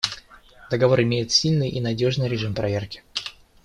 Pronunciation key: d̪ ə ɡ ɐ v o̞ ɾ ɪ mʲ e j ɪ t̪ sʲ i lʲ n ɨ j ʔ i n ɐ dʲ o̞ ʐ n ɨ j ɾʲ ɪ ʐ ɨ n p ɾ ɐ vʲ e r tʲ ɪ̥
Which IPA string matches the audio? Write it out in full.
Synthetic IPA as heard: d̪ ə ɡ ɐ v o̞ ɾ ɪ mʲ e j ɪ t̪ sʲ i lʲ n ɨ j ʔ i n ɐ dʲ o̞ ʐ n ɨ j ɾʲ ɪ ʐ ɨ m p ɾ ɐ vʲ e r kʲ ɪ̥